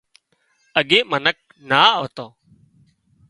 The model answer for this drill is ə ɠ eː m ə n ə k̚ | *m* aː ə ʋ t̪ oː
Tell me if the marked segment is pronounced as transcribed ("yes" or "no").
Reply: no